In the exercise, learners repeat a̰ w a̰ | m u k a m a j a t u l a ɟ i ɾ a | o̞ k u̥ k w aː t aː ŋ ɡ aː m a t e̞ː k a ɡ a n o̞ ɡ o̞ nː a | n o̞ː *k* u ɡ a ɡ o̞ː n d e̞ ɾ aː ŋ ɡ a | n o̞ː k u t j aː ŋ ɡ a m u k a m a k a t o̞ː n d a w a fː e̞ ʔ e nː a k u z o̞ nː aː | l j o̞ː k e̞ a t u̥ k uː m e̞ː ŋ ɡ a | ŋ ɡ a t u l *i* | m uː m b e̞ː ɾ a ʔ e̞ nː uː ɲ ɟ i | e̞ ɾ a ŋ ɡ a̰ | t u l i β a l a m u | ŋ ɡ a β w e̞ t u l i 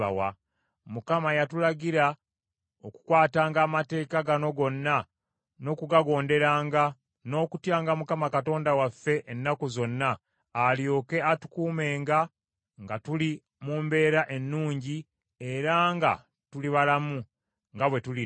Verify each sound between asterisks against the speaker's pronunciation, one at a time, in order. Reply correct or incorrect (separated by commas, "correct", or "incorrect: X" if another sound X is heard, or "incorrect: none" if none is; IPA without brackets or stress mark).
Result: correct, correct